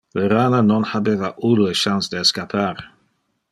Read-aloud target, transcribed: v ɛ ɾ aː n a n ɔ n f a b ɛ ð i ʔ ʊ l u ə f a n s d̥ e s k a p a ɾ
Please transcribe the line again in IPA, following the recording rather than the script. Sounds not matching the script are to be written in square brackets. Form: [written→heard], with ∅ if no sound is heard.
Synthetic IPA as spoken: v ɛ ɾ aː n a n ɔ n [f→h] a b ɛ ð [i→a] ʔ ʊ l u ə [f→ʃ] a n s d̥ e s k a [p→pʰ] a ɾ